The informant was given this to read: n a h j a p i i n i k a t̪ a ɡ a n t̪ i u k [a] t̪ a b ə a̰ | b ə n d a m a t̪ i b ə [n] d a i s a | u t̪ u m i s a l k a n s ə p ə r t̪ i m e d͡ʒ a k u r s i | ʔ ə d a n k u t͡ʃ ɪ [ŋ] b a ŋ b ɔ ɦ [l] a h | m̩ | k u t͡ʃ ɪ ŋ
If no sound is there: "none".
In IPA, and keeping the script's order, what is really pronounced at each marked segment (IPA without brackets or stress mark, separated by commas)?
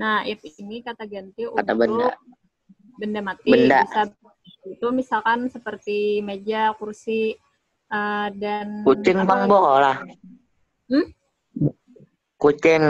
a, n, ŋ, l